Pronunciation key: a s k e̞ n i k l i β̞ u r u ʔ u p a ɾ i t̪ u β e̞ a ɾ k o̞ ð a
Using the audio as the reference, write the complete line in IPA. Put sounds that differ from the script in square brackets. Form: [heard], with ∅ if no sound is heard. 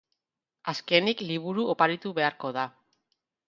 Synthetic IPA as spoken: a s k e̞ n i k l i β̞ u [ɾ] u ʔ [o] p a ɾ i t̪ u β e̞ a ɾ k o̞ ð a